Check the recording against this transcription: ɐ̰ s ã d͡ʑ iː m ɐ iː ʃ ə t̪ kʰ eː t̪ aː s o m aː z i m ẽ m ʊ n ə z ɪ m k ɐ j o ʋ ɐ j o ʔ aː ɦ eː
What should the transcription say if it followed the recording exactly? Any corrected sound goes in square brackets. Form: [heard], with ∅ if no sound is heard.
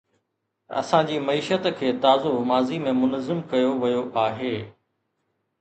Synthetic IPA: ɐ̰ s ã d͡ʑ iː m ɐ iː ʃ ə t̪ kʰ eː t̪ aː [z] o m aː z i m ẽ m ʊ n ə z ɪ m k ɐ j o ʋ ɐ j o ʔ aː ɦ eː